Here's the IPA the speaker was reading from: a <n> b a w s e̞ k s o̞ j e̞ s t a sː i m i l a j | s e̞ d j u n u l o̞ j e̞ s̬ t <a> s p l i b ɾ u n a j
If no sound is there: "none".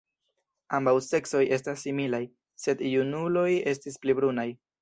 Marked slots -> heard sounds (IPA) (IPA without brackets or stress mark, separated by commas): m, i